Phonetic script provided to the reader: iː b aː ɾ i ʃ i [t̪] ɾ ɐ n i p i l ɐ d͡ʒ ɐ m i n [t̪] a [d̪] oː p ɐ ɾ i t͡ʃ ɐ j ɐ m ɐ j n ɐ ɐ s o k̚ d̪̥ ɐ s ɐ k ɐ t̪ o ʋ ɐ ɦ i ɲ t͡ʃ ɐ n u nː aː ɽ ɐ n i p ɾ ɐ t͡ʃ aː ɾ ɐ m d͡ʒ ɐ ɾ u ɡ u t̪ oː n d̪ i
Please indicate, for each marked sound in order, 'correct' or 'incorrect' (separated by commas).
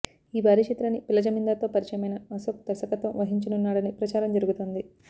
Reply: correct, incorrect, incorrect